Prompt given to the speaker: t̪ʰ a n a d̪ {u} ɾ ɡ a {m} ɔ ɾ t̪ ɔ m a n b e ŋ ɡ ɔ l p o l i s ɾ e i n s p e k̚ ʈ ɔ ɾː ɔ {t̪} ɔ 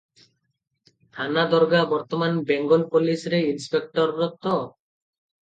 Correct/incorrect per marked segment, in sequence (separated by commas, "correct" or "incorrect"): incorrect, incorrect, correct